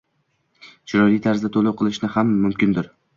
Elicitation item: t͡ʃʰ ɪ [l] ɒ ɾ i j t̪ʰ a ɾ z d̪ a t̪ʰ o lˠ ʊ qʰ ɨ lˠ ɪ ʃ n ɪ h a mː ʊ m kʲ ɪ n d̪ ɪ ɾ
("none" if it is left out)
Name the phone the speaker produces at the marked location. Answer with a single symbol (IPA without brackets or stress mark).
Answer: ɾ